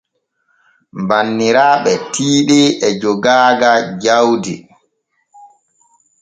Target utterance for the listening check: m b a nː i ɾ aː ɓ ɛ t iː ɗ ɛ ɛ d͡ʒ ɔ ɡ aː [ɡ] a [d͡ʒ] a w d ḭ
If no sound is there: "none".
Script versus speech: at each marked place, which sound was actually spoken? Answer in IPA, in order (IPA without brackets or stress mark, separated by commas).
ɡ, d͡ʒ